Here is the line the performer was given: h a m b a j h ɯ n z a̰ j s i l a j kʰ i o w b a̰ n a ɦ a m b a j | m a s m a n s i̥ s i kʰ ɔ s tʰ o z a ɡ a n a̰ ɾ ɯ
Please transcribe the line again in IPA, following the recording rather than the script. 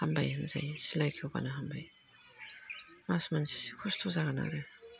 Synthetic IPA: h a m b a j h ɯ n z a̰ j s i l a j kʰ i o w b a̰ n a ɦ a m b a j | m a s m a n s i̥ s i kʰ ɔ s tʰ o z a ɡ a n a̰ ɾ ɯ